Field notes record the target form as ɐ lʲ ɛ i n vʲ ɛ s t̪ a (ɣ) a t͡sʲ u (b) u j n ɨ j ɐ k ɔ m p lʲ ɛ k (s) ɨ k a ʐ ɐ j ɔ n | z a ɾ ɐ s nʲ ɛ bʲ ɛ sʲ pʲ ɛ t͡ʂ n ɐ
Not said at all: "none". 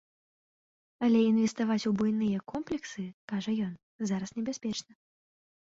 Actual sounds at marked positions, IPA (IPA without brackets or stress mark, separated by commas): v, b, s